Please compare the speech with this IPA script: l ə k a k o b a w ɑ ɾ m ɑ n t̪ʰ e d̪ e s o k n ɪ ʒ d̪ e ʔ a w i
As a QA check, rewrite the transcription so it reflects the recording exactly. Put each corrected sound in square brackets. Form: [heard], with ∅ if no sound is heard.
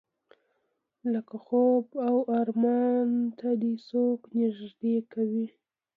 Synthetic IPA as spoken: l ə k a [x] o b a w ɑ ɾ m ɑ n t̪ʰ [a] d̪ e s o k n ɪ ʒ d̪ e [k] a w i